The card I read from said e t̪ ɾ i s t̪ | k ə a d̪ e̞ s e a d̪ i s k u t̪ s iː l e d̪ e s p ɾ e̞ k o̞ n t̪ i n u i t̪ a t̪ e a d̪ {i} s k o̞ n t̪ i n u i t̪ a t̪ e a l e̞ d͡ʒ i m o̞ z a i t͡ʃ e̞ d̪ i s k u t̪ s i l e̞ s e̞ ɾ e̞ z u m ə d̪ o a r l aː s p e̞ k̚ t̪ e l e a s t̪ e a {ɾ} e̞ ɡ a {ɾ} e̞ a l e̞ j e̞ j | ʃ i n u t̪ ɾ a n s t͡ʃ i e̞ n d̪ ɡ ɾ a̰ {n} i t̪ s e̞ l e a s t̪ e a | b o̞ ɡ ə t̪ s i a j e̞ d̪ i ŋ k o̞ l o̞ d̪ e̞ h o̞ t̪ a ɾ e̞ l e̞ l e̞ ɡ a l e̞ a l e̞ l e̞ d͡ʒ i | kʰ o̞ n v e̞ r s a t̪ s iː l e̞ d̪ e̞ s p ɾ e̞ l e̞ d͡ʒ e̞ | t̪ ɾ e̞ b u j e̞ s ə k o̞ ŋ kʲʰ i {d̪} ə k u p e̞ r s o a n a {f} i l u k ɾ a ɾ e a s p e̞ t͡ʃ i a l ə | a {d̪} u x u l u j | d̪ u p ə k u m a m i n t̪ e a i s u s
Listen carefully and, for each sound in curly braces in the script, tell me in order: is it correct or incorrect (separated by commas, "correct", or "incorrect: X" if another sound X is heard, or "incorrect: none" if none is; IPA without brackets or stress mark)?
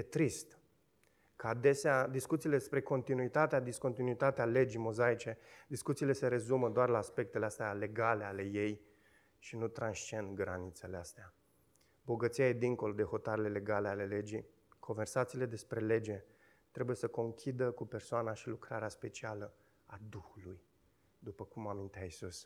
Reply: correct, incorrect: l, incorrect: l, correct, correct, incorrect: ʃ, correct